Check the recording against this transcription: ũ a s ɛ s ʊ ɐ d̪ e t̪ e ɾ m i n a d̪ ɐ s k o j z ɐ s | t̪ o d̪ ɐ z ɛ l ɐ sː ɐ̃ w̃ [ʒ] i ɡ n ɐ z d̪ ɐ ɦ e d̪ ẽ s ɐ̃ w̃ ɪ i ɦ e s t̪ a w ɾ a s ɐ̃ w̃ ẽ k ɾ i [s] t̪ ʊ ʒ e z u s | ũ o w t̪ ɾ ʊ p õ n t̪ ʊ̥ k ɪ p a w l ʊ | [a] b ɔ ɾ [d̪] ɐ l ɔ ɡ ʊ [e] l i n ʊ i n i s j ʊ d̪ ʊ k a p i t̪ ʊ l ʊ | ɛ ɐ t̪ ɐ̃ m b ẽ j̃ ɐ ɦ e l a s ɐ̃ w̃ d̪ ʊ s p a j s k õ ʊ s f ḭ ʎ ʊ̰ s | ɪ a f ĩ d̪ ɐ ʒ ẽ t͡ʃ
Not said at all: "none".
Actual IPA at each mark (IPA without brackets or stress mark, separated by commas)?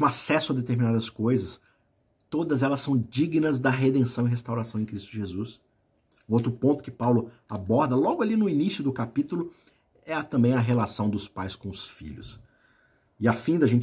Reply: d͡ʒ, s, a, d̪, a